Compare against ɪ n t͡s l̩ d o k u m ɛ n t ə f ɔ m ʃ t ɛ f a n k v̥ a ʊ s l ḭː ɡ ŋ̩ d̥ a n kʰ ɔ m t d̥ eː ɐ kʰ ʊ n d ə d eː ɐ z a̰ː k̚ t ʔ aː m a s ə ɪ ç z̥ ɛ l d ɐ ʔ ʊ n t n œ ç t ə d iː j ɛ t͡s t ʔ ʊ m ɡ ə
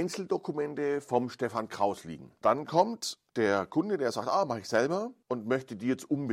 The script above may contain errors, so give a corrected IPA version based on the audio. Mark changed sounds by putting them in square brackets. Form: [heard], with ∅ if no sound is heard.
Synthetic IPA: ɪ n t͡s l̩ d o k u m ɛ n t ə f ɔ m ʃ t ɛ f a n k [ʁ̥] a ʊ s l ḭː ɡ ŋ̩ d̥ a n kʰ ɔ m t d̥ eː ɐ kʰ ʊ n d ə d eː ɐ z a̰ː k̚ t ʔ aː m a [χ] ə ɪ ç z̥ ɛ l [b] ɐ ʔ ʊ n t [m] œ ç t ə d iː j ɛ t͡s t ʔ ʊ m [b] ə